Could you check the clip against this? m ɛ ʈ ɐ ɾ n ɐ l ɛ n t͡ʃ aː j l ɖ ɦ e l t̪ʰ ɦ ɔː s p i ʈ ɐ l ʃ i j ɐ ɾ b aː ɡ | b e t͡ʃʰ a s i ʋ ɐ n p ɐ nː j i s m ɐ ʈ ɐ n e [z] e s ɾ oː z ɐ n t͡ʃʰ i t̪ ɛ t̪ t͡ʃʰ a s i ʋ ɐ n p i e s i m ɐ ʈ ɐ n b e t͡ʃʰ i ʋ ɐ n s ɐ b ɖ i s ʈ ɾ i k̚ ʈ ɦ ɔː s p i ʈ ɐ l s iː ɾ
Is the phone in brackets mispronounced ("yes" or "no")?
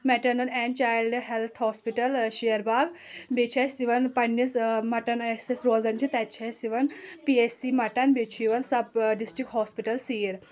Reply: yes